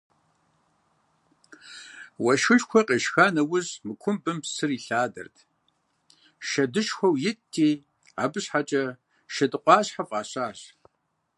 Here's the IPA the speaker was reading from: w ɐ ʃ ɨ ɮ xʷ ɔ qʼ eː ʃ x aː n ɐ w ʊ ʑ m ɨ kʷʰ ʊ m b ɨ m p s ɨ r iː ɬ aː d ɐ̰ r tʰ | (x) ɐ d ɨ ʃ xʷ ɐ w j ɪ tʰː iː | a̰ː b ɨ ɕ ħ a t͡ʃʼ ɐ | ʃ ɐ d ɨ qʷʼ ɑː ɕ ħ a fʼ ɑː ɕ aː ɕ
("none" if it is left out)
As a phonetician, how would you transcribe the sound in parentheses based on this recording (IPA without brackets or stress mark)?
ʃ